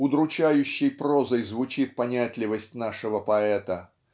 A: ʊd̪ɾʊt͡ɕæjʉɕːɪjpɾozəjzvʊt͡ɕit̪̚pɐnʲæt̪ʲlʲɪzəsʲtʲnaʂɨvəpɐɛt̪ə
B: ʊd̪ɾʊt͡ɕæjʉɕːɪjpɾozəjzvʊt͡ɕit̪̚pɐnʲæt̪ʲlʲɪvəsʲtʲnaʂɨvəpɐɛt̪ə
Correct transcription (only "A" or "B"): B